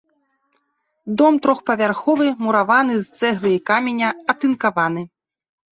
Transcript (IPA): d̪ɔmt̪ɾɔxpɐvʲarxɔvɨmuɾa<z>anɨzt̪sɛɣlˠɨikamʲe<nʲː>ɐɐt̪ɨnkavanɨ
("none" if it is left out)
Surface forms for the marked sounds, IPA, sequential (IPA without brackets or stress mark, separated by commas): v, nʲ